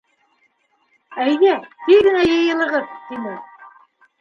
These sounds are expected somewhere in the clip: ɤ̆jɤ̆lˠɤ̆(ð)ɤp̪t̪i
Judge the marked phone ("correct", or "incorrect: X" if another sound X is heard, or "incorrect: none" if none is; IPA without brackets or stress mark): incorrect: ʁ